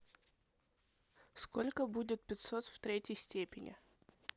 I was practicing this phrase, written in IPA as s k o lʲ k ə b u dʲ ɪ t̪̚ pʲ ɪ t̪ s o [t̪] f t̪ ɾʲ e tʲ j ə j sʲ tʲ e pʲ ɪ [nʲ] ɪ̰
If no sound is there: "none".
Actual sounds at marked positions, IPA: t̪, nʲ

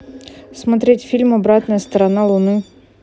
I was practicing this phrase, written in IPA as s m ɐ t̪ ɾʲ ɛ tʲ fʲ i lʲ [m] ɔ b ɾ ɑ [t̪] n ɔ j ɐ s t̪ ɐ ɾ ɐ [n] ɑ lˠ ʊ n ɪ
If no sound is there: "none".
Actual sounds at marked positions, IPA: m, t̪, n

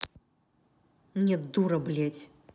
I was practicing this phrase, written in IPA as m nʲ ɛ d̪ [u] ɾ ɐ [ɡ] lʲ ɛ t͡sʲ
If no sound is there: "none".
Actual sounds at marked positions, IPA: u, b

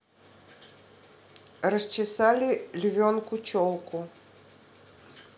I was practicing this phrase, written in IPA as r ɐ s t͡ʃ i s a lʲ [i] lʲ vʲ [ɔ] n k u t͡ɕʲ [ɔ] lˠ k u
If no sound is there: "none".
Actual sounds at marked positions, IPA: i, ɔ, ɔ

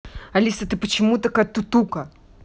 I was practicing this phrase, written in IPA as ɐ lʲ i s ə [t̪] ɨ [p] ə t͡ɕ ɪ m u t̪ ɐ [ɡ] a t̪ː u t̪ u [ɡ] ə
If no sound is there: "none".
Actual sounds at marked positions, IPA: t̪, p, k, k

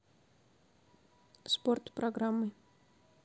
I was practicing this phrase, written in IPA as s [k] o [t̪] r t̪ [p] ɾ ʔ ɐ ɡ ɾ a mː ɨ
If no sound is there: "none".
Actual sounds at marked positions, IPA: p, none, p

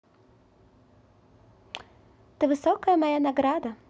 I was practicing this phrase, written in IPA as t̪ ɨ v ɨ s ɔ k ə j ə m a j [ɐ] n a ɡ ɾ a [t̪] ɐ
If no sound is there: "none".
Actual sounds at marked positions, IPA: a, d̪

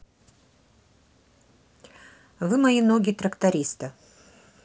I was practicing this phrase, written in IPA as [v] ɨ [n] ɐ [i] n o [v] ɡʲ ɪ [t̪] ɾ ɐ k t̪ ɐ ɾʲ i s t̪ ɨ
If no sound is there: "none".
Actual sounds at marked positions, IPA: v, m, i, none, t̪

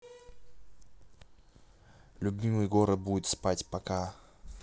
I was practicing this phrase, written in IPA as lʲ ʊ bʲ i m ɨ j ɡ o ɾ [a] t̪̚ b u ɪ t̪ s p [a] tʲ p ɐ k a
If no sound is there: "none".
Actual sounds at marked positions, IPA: ə, a

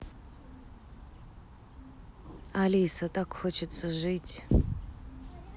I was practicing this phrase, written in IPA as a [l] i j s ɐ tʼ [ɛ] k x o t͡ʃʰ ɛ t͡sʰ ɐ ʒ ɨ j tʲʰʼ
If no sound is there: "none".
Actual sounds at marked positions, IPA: l, a

